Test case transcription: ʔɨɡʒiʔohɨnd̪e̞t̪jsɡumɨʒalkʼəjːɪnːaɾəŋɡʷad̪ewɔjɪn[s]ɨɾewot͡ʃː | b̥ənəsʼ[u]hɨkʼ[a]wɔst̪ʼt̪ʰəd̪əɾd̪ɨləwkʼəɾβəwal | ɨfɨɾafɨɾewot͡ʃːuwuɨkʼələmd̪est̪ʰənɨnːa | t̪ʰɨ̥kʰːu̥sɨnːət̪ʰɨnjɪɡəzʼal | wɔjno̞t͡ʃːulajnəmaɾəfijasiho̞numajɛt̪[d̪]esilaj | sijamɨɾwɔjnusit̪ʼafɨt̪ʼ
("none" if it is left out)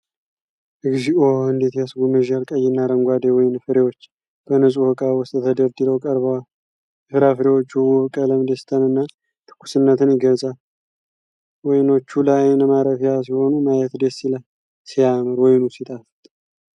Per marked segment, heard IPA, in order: f, u, a, d̪

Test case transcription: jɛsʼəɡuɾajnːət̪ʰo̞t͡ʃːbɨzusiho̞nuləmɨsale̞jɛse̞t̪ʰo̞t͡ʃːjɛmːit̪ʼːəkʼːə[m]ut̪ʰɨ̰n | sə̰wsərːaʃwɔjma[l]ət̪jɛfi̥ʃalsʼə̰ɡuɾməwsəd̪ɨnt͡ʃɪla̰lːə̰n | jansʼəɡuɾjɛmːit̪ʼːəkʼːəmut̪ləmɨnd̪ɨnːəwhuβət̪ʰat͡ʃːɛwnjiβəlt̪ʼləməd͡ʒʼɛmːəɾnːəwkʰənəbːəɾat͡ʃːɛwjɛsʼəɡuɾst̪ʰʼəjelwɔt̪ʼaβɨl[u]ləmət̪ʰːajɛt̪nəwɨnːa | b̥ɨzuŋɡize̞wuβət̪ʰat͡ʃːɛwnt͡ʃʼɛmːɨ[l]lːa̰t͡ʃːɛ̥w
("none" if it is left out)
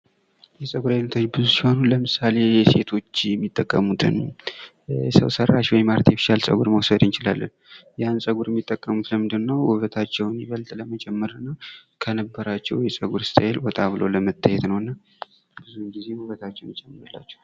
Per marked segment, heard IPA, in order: m, ɾ, o, ɾ

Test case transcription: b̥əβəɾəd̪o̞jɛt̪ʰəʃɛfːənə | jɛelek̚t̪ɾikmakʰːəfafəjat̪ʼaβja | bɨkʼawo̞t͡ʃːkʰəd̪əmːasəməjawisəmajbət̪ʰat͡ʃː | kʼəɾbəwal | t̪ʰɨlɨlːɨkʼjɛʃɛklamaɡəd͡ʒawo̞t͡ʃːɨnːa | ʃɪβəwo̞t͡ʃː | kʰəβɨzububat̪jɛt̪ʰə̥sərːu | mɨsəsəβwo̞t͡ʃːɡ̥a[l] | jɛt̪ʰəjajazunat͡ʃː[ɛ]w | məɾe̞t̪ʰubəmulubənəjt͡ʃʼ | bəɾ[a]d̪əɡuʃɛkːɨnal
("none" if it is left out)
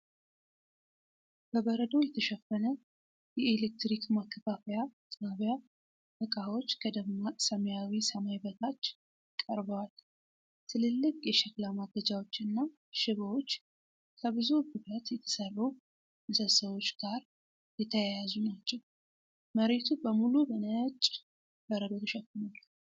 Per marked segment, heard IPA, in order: ɾ, ɛ, ə

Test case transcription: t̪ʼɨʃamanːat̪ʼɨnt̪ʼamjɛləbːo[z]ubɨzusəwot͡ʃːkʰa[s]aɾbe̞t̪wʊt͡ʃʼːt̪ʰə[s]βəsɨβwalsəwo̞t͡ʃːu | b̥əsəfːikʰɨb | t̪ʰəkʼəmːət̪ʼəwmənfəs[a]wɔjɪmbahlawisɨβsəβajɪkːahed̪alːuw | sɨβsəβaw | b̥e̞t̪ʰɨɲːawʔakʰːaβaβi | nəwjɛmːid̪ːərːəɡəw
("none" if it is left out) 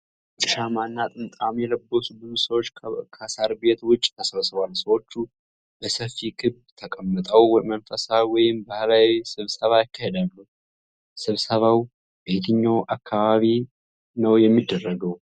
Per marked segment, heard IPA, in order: s, s, s, a

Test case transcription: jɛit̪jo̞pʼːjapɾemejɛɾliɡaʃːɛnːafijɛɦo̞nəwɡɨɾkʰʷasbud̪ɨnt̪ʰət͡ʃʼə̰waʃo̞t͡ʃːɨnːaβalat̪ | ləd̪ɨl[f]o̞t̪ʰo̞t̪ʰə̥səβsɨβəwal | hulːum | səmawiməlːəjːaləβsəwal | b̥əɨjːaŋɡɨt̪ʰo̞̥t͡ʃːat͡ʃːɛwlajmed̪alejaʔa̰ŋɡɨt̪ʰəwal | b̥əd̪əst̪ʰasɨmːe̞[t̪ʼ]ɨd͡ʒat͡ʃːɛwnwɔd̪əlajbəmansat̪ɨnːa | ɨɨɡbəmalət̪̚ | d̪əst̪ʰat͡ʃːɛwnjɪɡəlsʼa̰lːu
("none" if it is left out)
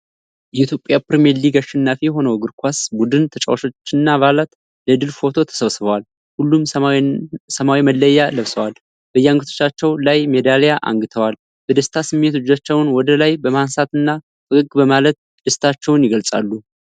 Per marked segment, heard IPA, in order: f, t̪

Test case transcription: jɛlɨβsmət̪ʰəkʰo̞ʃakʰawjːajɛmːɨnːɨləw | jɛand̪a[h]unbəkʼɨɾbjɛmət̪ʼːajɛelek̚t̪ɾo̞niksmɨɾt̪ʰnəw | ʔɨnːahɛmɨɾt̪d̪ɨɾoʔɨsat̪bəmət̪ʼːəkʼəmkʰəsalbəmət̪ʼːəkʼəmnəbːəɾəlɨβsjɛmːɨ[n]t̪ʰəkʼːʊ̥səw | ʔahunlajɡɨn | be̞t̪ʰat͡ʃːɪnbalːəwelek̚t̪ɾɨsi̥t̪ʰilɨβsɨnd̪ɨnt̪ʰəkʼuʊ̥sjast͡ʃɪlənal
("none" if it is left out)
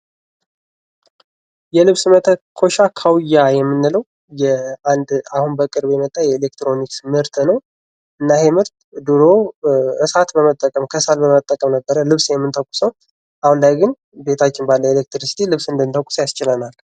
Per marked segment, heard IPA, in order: h, n

